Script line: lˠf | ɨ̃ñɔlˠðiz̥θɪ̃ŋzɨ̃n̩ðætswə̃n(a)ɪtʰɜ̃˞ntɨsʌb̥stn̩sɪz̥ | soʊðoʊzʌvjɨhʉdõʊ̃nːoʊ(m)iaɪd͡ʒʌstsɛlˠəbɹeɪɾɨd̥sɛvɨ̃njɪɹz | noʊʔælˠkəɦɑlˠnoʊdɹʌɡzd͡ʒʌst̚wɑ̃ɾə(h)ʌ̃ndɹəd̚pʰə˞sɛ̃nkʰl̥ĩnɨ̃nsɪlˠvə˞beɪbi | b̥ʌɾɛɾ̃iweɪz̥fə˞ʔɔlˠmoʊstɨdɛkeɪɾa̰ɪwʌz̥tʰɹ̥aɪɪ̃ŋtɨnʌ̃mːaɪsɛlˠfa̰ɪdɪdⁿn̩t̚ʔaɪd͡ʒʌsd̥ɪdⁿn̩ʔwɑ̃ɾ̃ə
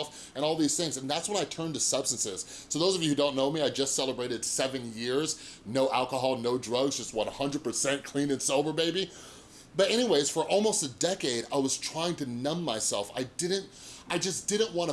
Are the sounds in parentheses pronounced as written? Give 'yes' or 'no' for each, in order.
yes, yes, yes

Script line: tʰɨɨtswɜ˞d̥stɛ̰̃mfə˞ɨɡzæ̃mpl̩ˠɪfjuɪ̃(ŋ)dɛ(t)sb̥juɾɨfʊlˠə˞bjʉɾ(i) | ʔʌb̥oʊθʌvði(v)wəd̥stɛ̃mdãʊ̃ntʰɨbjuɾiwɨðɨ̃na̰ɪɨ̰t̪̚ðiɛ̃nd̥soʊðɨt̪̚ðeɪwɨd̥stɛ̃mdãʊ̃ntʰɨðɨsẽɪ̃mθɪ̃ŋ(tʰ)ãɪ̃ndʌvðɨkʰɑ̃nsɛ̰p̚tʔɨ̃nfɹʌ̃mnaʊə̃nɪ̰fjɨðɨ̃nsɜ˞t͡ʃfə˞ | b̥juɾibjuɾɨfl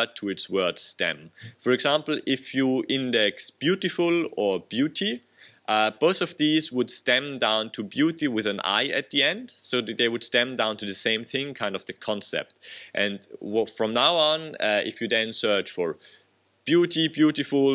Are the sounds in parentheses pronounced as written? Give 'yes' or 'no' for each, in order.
no, no, yes, no, no

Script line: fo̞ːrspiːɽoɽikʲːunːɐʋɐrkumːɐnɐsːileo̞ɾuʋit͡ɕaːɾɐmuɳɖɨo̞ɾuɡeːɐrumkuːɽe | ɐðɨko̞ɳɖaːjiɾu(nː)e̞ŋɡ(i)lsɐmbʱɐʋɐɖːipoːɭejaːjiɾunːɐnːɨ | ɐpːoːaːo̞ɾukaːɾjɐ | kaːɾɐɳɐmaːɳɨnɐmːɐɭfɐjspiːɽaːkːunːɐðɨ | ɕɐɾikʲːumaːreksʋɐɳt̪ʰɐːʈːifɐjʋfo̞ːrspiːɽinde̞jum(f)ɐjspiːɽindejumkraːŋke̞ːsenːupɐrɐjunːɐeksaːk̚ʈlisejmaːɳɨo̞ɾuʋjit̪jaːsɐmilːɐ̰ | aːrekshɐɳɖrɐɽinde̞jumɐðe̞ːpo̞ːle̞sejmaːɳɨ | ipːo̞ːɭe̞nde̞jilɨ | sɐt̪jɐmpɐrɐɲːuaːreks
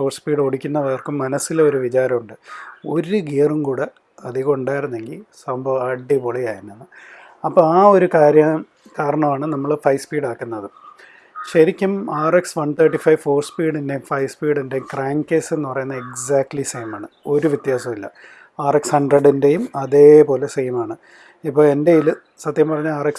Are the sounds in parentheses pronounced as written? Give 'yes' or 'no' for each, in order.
yes, yes, yes

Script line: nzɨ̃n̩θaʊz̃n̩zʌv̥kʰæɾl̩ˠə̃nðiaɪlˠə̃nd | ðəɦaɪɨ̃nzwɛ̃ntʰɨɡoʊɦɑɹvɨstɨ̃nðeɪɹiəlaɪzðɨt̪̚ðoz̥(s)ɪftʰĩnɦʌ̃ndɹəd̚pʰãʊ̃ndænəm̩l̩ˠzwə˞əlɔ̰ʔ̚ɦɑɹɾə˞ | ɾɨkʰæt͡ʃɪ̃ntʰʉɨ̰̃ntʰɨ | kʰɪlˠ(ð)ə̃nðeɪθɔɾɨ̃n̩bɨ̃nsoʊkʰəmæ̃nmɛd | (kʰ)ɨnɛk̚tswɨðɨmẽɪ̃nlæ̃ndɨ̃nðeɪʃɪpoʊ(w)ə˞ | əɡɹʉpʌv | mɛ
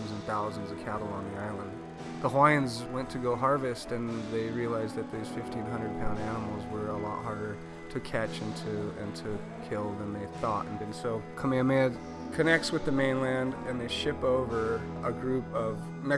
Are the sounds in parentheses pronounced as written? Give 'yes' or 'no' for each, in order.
no, yes, yes, no

